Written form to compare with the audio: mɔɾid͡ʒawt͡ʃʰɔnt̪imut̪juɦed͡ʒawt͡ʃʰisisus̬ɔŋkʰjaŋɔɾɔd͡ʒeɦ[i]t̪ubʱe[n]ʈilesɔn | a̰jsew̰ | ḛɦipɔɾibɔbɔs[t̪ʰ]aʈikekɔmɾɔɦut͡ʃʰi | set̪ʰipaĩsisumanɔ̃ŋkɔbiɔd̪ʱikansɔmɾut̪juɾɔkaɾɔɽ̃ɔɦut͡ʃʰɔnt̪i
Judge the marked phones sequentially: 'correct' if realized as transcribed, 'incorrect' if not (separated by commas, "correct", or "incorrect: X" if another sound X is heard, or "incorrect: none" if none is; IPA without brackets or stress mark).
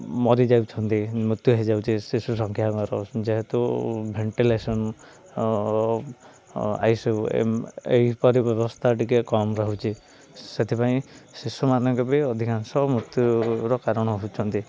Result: incorrect: e, incorrect: ɳ, correct